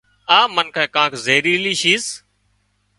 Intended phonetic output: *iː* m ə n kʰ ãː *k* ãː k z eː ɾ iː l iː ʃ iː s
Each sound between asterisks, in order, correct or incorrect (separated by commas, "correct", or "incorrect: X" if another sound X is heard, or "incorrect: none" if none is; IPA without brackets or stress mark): incorrect: aː, correct